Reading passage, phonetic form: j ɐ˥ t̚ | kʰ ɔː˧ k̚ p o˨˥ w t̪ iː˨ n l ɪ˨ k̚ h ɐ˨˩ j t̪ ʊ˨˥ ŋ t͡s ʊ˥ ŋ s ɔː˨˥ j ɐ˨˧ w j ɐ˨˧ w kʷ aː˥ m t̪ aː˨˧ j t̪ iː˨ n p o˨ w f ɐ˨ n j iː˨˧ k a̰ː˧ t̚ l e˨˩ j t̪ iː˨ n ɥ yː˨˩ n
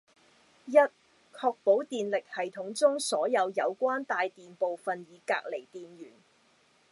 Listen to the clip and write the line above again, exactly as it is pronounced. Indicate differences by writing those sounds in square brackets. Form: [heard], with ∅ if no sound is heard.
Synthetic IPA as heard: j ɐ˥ t̚ | kʰ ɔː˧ k̚ p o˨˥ w t̪ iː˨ n l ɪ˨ k̚ h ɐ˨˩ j [t̪ʰ] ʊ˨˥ ŋ t͡s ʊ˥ ŋ s ɔː˨˥ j ɐ˨˧ w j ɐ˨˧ w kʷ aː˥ [n] t̪ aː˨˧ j t̪ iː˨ n p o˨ w f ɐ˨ n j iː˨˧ k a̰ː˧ [k̚] l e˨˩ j t̪ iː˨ n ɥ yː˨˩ n

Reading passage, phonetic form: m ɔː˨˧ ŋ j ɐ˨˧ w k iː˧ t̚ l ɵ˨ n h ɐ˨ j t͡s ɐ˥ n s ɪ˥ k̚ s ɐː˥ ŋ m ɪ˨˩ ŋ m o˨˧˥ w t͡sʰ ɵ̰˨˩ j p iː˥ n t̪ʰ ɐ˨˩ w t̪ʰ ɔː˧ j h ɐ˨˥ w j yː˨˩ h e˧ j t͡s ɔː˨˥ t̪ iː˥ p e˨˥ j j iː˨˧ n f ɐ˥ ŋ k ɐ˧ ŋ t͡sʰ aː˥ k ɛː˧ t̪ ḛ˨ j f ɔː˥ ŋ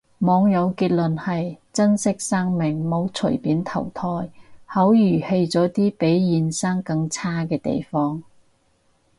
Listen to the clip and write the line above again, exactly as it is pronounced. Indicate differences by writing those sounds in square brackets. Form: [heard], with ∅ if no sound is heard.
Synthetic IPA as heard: m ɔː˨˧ ŋ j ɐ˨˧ w k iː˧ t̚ l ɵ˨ n h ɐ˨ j t͡s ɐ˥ n s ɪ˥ k̚ s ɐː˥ ŋ m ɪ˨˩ ŋ m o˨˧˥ w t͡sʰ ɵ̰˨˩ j p [iː˨˥] n t̪ʰ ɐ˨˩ w t̪ʰ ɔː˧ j h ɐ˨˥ w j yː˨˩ h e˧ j t͡s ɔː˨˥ t̪ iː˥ p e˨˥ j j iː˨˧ n [s] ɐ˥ ŋ k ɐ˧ ŋ t͡sʰ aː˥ k ɛː˧ t̪ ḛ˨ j f ɔː˥ ŋ

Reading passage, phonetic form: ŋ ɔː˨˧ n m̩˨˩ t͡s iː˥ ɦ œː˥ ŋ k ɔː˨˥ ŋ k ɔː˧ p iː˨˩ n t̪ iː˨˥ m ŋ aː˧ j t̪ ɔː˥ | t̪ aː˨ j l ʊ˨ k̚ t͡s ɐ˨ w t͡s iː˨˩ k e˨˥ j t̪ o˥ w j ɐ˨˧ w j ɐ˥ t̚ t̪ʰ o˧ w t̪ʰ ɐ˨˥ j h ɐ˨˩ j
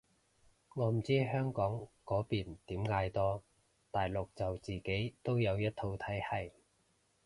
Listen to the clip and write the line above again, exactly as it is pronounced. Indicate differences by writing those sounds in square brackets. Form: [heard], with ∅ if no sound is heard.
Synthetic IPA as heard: ŋ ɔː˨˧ [∅] m̩˨˩ t͡s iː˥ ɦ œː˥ ŋ k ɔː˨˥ ŋ k [ɔː˨˥] p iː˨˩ n t̪ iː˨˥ m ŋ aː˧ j t̪ ɔː˥ | t̪ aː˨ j l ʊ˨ k̚ t͡s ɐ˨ w t͡s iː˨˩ k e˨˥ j t̪ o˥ w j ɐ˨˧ w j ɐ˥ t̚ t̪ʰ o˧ w t̪ʰ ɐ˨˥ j h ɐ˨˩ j

